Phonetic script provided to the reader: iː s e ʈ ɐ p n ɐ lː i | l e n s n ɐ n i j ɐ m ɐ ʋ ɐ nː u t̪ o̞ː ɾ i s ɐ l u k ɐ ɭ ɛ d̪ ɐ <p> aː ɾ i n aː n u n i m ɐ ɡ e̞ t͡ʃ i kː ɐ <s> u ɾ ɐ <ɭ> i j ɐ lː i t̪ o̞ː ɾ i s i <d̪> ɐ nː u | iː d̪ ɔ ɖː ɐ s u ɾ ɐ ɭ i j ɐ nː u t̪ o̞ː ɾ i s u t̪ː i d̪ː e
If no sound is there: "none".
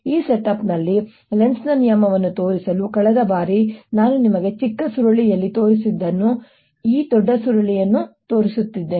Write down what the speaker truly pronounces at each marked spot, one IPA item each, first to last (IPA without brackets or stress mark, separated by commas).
b, s, ɭ, d̪ː